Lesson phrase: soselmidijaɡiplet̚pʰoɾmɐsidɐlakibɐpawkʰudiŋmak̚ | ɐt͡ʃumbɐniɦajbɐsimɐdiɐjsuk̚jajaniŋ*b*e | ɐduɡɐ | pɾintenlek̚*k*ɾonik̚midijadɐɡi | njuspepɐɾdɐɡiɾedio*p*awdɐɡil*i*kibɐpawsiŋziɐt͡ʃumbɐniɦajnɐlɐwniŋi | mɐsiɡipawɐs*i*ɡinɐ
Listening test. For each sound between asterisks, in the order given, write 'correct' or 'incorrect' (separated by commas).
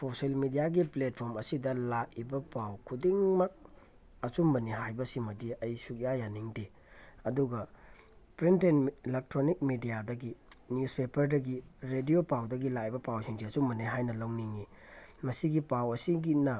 incorrect, incorrect, correct, incorrect, correct